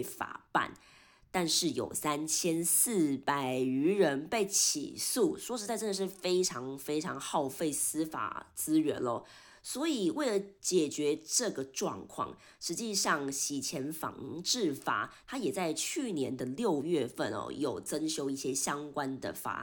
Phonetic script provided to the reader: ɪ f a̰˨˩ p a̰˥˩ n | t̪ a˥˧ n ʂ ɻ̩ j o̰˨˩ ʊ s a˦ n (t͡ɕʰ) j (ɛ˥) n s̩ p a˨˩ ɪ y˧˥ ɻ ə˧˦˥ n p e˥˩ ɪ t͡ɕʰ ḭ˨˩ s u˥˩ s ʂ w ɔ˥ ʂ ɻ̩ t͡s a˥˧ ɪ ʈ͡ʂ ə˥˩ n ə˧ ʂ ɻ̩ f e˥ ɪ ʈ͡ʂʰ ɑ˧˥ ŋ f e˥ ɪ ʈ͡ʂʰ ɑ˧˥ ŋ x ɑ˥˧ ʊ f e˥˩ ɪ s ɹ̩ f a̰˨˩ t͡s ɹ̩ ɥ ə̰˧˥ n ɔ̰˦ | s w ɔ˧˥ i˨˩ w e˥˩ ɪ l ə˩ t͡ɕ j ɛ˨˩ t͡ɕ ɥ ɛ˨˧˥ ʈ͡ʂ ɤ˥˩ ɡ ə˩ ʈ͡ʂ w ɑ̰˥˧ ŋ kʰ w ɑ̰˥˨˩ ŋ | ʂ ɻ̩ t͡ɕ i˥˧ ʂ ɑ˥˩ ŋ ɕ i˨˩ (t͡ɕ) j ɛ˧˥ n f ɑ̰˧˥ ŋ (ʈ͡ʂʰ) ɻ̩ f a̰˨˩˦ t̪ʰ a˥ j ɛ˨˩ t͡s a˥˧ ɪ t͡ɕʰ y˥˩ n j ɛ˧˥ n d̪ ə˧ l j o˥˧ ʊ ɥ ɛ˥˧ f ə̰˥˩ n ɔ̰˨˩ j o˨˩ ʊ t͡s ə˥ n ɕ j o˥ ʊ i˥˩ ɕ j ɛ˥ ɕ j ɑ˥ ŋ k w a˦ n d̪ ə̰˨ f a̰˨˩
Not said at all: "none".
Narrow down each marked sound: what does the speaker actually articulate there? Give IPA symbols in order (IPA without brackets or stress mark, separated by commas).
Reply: t͡ɕʰ, ɛ˥, t͡ɕʰ, ʈ͡ʂ